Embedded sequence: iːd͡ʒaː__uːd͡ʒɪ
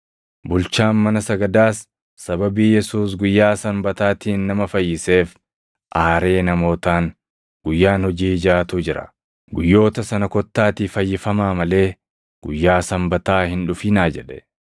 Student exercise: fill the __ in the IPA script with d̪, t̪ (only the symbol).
t̪